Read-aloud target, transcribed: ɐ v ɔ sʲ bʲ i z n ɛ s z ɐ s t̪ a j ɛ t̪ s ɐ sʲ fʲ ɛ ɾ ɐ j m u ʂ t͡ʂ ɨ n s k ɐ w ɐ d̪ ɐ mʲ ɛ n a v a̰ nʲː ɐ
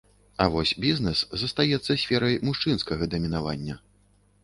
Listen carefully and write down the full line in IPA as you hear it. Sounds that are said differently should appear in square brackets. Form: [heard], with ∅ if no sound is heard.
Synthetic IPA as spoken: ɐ v ɔ sʲ bʲ i z n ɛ s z ɐ s t̪ a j ɛ t̪ [sː] ɐ sʲ fʲ ɛ ɾ ɐ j m u ʂ t͡ʂ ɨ n s k ɐ [ɣ] ɐ d̪ ɐ mʲ [i] n a v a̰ nʲː ɐ